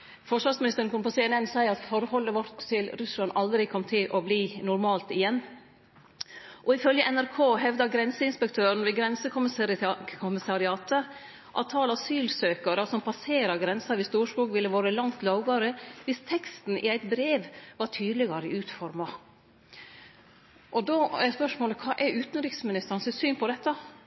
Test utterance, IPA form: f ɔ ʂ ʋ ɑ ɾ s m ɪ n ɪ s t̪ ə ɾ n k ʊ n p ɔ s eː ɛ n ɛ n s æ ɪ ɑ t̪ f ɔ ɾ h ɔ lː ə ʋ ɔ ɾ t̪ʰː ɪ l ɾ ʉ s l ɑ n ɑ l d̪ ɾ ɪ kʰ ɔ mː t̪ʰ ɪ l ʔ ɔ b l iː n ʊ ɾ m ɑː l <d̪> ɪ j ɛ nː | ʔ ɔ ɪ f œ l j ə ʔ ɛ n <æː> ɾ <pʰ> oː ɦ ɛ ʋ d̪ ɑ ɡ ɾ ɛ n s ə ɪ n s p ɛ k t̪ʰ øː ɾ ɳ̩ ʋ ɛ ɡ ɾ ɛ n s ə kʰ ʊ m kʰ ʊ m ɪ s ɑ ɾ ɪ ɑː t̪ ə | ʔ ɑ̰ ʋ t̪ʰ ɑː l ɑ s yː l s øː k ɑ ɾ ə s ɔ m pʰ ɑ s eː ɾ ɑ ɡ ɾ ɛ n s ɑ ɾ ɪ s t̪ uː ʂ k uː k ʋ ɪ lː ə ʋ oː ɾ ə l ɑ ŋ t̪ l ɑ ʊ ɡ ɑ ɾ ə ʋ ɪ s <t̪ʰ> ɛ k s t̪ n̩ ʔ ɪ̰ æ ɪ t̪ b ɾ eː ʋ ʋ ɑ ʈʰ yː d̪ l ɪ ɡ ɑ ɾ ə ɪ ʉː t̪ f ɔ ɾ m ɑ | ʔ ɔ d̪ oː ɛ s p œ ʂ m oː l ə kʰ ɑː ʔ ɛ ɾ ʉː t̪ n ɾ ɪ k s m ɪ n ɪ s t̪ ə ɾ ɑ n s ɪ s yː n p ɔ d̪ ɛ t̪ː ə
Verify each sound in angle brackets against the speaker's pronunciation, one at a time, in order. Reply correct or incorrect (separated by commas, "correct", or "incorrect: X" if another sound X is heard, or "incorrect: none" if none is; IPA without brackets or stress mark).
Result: incorrect: t̪, incorrect: æ, incorrect: kʰ, correct